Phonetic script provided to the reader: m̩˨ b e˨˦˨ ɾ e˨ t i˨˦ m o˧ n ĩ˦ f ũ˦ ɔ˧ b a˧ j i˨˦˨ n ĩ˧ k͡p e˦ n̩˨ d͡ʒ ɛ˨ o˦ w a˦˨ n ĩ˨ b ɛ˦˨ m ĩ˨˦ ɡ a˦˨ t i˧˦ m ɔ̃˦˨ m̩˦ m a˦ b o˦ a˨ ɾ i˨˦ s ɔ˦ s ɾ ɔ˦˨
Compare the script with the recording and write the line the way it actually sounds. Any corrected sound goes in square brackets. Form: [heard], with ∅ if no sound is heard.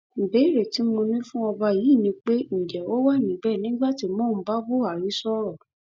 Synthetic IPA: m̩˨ b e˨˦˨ ɾ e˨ t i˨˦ m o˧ n ĩ˦ f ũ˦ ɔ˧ b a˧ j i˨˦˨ n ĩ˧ k͡p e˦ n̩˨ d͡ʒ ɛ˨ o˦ w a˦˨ n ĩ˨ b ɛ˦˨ [n] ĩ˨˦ [ɡ͡b] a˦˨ t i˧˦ m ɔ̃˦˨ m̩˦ [b] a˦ b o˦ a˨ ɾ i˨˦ s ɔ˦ [∅] ɾ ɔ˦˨